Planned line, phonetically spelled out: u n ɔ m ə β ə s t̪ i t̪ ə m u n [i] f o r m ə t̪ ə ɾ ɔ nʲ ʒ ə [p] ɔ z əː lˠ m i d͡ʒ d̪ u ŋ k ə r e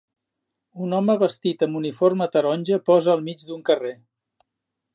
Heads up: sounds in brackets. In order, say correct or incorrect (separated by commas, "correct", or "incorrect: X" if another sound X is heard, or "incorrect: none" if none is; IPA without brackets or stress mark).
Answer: correct, correct